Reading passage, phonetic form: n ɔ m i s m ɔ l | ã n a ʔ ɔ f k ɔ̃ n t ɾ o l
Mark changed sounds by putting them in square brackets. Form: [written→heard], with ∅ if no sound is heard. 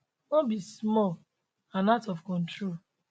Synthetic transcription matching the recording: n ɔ [m→b] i s m ɔ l | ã n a [ʔ→t] ɔ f k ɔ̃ n t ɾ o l